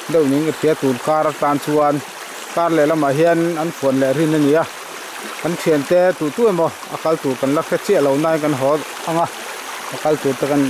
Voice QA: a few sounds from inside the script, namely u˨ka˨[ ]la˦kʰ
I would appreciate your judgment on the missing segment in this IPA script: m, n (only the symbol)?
n